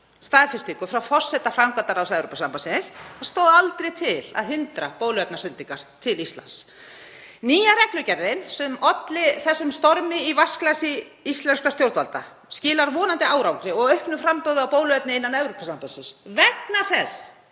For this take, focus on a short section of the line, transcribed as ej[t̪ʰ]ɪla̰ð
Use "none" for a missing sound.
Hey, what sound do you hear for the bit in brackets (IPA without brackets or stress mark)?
t̪ʰ